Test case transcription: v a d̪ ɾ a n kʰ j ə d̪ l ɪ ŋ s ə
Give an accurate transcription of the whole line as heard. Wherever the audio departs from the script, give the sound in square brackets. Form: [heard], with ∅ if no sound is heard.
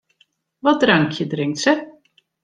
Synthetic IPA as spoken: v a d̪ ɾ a [ŋ] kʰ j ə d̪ [ɾ] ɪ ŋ s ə